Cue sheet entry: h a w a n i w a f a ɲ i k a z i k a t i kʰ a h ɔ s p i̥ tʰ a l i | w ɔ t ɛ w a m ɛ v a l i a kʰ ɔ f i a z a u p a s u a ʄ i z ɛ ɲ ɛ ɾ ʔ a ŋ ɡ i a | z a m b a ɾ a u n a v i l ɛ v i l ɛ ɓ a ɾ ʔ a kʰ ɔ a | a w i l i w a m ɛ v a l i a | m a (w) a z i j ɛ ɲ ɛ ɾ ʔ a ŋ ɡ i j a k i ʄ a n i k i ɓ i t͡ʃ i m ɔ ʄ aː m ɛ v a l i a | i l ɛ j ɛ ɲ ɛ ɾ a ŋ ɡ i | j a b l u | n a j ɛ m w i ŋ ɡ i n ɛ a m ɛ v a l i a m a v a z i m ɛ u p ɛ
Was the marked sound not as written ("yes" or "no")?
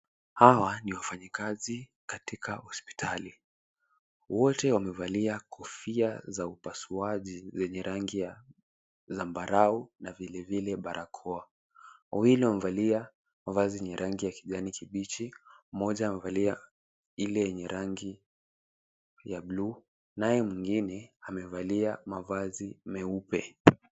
yes